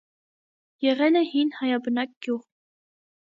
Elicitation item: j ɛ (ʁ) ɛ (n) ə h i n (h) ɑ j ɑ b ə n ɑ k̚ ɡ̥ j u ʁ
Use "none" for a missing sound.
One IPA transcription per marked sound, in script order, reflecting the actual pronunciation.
ʁ, n, h

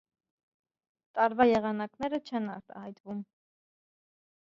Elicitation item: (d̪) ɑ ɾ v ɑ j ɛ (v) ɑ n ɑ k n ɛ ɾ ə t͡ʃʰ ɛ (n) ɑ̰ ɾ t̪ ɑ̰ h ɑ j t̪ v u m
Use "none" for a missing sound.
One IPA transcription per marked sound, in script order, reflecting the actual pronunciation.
t̪, ʁ, n

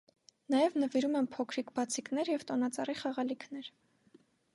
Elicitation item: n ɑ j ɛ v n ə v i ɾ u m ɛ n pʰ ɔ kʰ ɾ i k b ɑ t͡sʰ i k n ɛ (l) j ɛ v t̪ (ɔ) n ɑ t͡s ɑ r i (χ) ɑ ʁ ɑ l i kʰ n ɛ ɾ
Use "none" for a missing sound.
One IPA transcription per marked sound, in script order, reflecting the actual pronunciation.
ɾ, ɔ, χ

